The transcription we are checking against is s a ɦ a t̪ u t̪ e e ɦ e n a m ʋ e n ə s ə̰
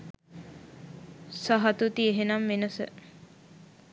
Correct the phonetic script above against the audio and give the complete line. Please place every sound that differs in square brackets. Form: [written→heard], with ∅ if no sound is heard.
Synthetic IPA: s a ɦ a t̪ u t̪ [e→i] e ɦ e n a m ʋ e n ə s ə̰